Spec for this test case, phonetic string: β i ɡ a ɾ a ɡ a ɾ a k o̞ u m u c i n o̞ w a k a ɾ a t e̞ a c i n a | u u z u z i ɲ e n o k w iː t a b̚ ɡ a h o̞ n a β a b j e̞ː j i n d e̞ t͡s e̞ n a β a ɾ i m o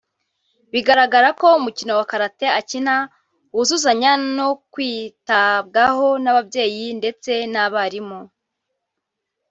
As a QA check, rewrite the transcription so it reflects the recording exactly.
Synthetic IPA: β i ɡ a ɾ a ɡ a ɾ a k o̞ u m u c i n o̞ w a k a ɾ a t e̞ a c i n a | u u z u z a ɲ a n o k w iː t a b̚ ɡ a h o̞ n a β a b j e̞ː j i n d e̞ t͡s e̞ n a β a ɾ i m o